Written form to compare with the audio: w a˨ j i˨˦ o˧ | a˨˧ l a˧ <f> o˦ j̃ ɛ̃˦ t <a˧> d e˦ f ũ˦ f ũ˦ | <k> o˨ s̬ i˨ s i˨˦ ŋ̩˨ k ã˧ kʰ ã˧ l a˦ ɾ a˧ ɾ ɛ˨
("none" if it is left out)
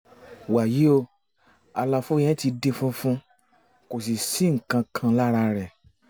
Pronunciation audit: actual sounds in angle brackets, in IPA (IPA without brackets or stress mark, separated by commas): f, i˧, k